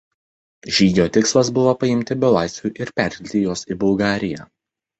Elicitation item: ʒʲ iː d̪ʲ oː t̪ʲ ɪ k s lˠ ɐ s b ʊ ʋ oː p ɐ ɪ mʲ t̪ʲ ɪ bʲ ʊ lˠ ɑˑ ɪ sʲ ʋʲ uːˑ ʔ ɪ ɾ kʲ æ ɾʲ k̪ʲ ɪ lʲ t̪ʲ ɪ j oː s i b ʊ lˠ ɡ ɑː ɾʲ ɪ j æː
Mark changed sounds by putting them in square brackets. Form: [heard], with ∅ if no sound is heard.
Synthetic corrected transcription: ʒʲ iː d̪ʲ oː t̪ʲ ɪ k s lˠ ɐ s b ʊ ʋ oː p ɐ ɪ mʲ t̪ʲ ɪ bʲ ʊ lˠ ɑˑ ɪ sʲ ʋʲ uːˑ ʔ ɪ ɾ [pʲ] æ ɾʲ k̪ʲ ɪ lʲ t̪ʲ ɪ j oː s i b ʊ lˠ ɡ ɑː ɾʲ ɪ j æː